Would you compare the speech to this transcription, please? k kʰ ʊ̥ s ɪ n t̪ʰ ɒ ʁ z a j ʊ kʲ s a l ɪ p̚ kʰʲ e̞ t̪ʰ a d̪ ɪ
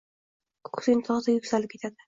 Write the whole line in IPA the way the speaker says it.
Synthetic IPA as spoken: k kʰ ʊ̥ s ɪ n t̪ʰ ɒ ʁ z a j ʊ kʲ s a l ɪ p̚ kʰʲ e̞ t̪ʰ a d̪ ɪ